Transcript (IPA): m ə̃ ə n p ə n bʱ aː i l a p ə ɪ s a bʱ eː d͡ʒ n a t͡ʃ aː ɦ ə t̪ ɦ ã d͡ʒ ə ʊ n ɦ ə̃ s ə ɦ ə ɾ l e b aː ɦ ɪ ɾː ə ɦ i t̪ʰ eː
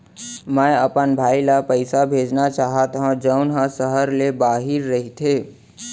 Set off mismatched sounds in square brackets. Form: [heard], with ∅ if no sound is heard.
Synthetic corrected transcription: m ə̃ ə [∅] p ə n bʱ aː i l a p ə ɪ s a bʱ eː d͡ʒ n a t͡ʃ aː ɦ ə t̪ ɦ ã d͡ʒ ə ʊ n ɦ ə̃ s ə ɦ ə ɾ l e b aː ɦ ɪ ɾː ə ɦ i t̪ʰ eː